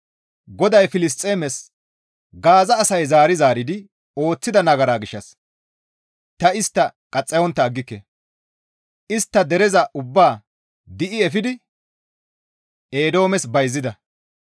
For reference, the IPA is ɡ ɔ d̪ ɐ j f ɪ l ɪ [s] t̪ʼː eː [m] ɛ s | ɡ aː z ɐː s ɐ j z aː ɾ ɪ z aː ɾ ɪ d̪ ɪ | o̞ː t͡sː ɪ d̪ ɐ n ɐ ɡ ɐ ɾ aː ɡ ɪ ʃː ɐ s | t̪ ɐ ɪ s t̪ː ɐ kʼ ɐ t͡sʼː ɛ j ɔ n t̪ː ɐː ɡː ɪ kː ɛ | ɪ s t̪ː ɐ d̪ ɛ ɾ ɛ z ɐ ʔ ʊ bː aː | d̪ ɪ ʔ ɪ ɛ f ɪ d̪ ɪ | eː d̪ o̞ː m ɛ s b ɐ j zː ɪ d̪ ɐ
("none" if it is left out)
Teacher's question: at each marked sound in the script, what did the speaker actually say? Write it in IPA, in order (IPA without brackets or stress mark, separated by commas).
s, m